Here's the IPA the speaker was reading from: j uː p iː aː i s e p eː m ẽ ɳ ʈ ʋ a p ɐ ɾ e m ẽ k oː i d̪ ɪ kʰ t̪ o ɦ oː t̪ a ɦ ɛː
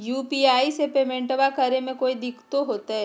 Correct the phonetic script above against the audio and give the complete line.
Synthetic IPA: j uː p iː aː i s e p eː m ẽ ɳ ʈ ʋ a k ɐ ɾ e m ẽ k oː i d̪ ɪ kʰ t̪ o ɦ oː t̪ a ɦ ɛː